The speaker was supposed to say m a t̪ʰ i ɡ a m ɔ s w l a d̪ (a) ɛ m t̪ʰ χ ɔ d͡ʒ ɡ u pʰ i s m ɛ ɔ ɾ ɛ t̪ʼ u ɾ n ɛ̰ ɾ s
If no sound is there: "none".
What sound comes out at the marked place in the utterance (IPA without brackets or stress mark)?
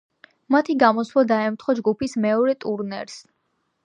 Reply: a